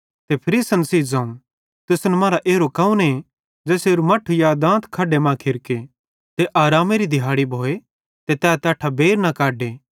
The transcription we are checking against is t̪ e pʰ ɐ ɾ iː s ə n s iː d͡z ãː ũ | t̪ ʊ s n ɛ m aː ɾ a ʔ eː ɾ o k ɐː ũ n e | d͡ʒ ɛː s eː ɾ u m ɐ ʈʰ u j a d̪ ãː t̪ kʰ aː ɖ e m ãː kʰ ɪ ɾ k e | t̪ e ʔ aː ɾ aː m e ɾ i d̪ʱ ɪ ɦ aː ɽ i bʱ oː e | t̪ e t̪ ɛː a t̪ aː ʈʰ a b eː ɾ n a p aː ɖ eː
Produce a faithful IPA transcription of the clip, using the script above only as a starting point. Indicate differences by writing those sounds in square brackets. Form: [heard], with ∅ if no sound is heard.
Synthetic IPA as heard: t̪ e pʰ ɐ ɾ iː s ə n s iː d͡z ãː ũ | t̪ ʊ s n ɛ m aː ɾ a ʔ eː ɾ o k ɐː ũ n e | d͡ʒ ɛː s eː ɾ u m ɐ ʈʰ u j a d̪ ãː t̪ kʰ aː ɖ e m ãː kʰ ɪ ɾ k e | t̪ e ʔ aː ɾ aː m e ɾ i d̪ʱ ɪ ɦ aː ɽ i bʱ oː e | t̪ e t̪ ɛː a t̪ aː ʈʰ a b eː ɾ n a [k] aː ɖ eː